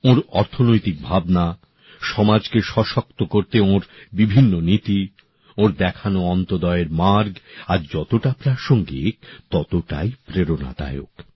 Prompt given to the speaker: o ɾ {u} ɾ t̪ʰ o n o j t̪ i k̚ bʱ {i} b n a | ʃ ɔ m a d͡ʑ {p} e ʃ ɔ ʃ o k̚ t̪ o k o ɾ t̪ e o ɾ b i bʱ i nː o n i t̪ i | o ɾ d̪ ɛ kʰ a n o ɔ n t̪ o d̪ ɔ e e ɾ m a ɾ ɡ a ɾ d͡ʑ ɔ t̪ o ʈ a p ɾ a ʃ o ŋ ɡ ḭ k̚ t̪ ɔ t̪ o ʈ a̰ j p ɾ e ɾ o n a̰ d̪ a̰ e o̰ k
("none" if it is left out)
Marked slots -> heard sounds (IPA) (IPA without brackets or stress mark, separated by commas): ɔ, a, k